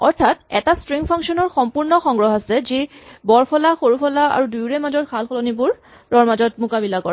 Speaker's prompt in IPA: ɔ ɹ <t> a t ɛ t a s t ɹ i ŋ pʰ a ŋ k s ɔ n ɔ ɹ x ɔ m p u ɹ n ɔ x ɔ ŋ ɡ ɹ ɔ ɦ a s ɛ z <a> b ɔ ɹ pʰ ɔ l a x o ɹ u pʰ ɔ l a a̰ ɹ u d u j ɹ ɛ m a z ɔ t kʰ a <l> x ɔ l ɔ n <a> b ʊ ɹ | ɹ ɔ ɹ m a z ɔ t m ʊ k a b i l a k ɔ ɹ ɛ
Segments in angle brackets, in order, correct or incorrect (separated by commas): incorrect, incorrect, correct, incorrect